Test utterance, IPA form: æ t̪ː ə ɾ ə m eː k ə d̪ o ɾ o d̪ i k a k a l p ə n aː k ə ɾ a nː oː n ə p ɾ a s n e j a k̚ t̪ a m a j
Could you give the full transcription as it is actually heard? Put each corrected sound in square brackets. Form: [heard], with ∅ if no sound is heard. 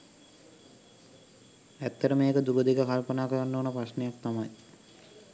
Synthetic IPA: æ t̪ː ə ɾ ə m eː k ə d̪ [u] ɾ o d̪ i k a k a l p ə n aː k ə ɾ a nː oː n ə p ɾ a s n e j a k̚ t̪ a m a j